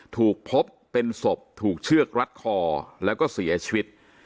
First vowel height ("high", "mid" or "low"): high